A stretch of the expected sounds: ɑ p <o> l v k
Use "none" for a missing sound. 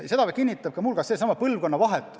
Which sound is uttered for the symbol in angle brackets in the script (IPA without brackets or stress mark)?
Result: ɤ